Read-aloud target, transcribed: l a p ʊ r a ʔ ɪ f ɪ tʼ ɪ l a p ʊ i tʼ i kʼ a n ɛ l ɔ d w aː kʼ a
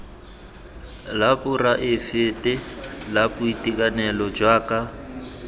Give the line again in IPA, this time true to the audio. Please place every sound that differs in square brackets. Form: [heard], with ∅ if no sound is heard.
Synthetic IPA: l a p ʊ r a ʔ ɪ f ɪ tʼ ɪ l a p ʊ i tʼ i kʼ a n ɛ l ɔ [d͡ʒ] w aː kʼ a